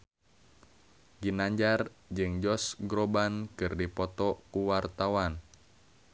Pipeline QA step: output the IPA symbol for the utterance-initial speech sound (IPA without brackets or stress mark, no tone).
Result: ɡ